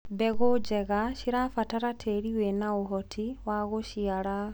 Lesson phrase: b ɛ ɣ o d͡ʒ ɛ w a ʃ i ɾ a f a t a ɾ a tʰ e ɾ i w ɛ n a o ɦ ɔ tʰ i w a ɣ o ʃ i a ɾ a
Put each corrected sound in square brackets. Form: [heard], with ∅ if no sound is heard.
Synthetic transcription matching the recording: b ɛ ɣ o d͡ʒ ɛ [ɣ] a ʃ i ɾ a f a t a ɾ a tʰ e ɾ i w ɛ n a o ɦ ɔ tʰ i w a ɣ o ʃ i a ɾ a